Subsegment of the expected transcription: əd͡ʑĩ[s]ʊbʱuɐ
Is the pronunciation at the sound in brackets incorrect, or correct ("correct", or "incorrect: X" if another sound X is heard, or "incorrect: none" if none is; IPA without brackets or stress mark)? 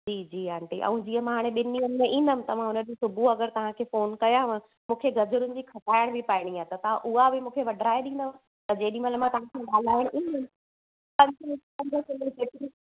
correct